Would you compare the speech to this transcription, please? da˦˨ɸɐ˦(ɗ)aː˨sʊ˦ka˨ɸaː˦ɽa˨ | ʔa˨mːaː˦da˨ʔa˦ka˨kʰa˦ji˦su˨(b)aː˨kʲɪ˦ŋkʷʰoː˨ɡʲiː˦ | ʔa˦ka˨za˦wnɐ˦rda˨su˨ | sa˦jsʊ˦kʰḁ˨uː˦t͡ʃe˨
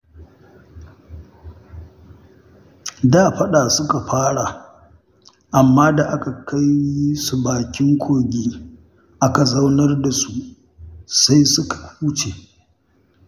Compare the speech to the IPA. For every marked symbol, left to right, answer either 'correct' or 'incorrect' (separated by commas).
correct, correct